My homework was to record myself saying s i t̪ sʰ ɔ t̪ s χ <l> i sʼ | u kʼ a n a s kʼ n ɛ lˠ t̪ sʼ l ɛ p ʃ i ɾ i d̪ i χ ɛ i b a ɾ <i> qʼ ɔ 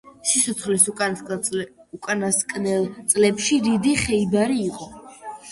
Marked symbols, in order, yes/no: yes, no

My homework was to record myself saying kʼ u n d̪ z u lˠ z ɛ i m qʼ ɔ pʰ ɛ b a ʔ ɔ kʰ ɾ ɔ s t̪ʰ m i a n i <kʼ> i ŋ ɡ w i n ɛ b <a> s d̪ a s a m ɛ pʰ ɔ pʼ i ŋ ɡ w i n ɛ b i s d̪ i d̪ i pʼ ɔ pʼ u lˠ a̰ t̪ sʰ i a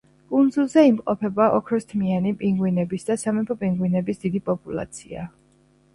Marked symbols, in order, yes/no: no, no

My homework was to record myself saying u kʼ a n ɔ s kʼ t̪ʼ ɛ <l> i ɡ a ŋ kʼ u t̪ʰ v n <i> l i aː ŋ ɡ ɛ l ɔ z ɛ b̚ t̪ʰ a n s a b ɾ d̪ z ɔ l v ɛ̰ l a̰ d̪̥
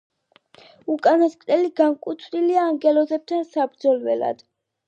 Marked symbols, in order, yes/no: yes, yes

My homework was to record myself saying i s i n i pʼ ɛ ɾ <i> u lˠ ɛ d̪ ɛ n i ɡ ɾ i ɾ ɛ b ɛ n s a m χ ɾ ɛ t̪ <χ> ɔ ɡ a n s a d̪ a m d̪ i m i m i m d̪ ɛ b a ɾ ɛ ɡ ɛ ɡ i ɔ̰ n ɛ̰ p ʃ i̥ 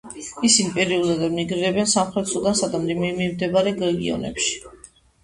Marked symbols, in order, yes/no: yes, no

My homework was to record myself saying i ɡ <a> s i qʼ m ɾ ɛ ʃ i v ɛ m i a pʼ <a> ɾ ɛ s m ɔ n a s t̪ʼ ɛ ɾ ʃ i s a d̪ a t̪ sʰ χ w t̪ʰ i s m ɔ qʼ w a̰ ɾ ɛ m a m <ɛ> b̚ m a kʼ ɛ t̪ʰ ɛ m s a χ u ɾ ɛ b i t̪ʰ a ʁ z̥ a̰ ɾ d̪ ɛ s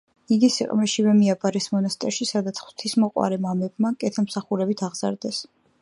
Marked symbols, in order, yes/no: no, yes, yes

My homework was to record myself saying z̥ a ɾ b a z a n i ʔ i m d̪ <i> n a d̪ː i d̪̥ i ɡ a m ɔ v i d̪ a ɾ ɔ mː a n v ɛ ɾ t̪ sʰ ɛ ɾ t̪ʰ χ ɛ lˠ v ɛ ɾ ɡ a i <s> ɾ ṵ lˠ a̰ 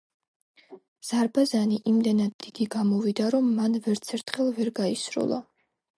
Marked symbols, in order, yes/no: no, yes

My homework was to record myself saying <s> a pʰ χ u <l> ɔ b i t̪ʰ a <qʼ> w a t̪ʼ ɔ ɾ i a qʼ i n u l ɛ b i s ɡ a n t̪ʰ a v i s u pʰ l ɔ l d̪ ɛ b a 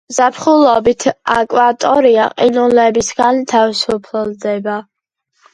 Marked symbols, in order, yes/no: no, yes, no

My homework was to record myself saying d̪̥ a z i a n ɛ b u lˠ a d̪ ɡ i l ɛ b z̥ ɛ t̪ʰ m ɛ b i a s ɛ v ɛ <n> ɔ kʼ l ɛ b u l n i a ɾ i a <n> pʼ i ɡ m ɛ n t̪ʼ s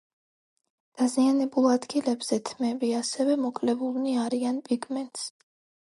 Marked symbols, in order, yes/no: no, yes

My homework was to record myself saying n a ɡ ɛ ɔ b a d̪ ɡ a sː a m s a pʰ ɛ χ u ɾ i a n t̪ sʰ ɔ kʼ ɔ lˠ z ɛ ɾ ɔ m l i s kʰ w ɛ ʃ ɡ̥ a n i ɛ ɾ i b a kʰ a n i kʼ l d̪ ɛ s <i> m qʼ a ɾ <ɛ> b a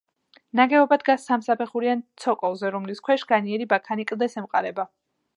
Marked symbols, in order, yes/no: no, yes

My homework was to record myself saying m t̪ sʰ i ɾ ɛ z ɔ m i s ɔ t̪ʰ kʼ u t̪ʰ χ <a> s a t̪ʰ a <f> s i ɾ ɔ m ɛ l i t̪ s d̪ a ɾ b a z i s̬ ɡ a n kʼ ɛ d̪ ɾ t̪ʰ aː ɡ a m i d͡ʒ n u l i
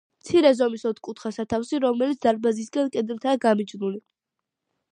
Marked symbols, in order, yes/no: yes, yes

